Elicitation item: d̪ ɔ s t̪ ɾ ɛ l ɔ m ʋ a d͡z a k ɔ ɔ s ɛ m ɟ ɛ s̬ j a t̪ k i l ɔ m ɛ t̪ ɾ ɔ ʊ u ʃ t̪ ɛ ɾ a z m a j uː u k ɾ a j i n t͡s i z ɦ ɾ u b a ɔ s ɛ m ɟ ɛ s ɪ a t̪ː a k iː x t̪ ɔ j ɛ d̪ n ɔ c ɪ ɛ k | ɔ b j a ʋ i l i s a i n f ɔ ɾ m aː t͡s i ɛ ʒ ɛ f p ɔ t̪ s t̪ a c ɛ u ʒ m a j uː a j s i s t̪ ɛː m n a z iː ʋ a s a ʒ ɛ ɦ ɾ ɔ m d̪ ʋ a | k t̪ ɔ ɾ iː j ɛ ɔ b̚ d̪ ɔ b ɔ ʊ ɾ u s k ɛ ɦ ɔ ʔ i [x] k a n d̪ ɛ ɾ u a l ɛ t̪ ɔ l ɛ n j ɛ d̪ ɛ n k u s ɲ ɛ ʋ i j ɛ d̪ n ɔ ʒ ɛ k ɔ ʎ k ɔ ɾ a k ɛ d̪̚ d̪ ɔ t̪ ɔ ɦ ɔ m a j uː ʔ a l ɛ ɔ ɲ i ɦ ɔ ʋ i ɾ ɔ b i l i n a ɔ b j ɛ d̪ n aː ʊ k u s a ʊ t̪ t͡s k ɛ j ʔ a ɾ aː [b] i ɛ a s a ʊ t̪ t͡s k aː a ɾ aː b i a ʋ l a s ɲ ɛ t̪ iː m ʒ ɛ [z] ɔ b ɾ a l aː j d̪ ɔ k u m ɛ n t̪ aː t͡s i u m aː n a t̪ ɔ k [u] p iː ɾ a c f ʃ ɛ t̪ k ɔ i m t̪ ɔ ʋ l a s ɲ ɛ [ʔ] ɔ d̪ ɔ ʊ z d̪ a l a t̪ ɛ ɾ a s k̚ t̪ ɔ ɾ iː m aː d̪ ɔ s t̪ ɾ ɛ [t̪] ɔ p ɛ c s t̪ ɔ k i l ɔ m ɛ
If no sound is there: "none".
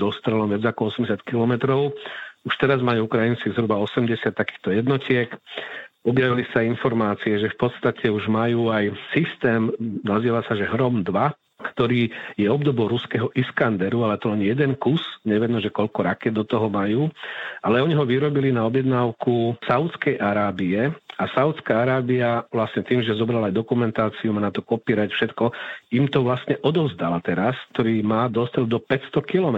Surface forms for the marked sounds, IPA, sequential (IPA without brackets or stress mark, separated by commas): s, b, z, ɔ, ʔ, d̪